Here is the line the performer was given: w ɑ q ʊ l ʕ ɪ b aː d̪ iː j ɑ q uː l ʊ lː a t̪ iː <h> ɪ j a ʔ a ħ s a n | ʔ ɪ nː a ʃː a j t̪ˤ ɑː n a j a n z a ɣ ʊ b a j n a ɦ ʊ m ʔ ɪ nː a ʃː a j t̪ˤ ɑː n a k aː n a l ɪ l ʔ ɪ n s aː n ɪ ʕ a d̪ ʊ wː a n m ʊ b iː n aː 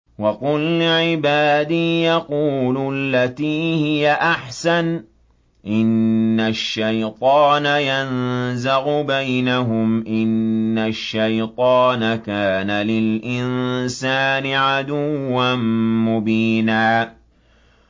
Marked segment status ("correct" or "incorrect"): correct